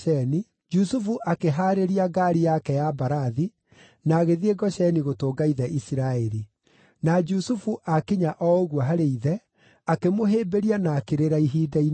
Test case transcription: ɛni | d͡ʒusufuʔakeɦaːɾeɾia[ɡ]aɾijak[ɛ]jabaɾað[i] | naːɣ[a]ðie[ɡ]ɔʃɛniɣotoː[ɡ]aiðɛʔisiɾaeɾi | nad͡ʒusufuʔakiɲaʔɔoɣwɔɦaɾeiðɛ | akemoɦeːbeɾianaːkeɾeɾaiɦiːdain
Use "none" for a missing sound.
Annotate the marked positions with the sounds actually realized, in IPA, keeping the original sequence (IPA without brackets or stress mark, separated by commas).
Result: ɡ, ɛ, i, e, ɡ, ɡ